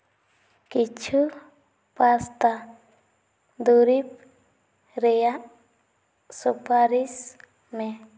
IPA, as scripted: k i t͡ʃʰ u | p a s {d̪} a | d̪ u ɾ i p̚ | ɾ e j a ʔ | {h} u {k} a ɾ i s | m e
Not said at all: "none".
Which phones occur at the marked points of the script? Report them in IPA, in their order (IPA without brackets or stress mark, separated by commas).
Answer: t̪, s, p